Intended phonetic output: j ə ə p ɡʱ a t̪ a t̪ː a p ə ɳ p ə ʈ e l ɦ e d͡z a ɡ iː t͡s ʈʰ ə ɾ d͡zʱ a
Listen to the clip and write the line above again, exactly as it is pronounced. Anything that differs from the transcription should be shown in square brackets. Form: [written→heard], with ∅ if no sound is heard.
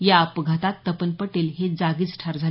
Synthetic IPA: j [ə→a] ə p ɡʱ a t̪ a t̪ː [a→ə] p ə [ɳ→n] p ə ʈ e l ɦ e d͡z a ɡ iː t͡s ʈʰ [ə→a] ɾ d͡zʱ a